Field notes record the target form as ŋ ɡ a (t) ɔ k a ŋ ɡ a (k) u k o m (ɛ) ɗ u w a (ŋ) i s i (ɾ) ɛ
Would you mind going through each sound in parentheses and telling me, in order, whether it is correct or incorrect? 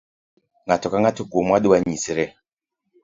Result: correct, incorrect: t, incorrect: a, incorrect: ɲ, correct

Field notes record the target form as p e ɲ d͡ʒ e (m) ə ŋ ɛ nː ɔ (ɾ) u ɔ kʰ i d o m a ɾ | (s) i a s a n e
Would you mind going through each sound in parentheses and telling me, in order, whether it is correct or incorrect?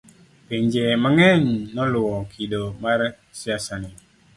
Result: correct, incorrect: l, correct

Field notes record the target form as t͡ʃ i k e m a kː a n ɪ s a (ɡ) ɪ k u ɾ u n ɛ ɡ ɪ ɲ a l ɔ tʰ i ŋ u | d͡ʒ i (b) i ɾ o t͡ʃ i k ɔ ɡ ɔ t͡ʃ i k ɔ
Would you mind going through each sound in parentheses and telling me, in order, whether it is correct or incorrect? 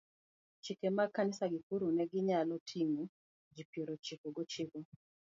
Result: correct, incorrect: p

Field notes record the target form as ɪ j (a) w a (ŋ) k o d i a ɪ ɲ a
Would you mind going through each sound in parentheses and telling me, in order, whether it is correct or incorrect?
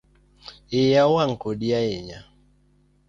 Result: correct, correct

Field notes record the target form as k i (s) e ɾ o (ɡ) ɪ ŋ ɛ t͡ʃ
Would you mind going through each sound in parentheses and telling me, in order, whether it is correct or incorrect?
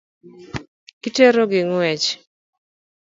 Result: incorrect: t, correct

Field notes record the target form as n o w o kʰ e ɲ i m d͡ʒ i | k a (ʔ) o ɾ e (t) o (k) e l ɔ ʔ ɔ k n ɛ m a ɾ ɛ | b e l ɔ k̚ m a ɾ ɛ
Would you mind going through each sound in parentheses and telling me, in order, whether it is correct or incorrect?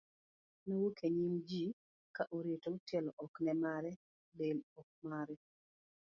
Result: correct, correct, incorrect: t

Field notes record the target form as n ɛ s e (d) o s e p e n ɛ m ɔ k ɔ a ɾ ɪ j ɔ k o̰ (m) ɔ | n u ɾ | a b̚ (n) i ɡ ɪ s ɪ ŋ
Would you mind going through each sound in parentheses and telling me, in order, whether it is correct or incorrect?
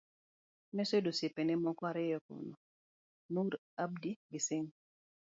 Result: correct, incorrect: n, incorrect: d

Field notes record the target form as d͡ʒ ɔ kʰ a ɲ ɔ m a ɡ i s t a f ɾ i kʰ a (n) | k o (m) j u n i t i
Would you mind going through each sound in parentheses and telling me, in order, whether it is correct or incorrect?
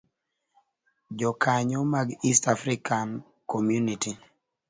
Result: correct, correct

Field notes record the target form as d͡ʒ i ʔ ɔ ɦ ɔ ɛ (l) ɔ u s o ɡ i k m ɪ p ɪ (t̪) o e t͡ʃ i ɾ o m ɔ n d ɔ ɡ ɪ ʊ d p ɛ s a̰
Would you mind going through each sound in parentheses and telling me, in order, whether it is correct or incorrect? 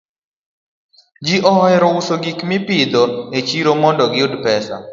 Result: incorrect: ɾ, incorrect: d̪

